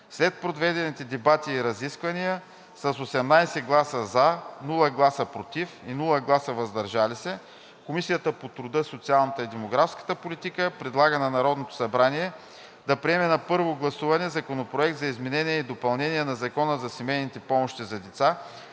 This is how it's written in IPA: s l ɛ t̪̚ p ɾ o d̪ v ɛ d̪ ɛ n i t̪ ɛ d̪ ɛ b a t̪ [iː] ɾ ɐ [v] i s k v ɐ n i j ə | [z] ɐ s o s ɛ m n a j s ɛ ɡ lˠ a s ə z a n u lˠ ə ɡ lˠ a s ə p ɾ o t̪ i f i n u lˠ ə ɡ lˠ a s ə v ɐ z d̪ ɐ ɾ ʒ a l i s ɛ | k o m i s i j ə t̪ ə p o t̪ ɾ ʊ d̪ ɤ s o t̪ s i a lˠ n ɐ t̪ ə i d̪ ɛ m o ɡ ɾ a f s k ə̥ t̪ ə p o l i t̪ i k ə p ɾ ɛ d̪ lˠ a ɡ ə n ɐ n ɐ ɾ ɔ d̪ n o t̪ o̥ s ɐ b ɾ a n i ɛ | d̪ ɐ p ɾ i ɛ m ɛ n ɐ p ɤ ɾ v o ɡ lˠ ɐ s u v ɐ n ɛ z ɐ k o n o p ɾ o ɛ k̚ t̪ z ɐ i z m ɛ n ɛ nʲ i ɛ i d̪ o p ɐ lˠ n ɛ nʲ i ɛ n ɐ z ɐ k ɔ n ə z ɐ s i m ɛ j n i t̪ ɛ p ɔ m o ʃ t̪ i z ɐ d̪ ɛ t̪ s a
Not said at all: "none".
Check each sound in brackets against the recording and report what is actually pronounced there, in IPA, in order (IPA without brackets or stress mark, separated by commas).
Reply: iː, z, s